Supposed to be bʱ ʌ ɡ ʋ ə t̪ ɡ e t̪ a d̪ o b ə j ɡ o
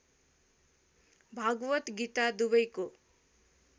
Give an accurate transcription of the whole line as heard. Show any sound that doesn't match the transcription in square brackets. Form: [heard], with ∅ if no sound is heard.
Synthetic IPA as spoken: bʱ [a] ɡ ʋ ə t̪ ɡ [i] t̪ a d̪ [u] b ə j [k] o